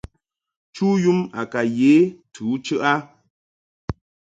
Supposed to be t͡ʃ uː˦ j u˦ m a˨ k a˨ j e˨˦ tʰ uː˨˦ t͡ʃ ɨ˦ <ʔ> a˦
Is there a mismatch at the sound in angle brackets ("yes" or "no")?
no